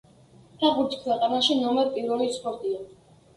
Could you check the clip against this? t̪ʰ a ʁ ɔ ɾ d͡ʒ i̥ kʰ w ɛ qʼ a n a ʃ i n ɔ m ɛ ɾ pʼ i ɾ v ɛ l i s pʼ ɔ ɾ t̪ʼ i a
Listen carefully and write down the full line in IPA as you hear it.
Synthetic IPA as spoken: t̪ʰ a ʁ u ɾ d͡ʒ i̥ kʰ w ɛ qʼ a n a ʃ i n ɔ m ɛ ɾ pʼ i ɾ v ɛ l i s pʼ ɔ ɾ t̪ʼ i a